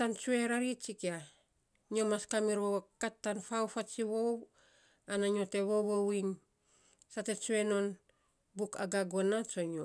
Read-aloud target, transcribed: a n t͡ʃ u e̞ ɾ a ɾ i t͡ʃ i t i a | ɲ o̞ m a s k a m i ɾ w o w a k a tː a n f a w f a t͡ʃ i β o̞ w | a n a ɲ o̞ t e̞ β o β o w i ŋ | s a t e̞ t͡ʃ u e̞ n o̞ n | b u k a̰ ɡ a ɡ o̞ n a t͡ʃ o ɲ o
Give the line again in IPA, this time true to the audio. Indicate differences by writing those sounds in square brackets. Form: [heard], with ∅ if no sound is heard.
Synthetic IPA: a n t͡ʃ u e̞ ɾ a ɾ i t͡ʃ i [k] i a | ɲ o̞ m a s k a m i ɾ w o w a k a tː a n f a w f a t͡ʃ i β o̞ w | a n a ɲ o̞ t e̞ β o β o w i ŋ | s a t e̞ t͡ʃ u e̞ n o̞ n | b u k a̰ ɡ a ɡ o̞ n a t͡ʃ o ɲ o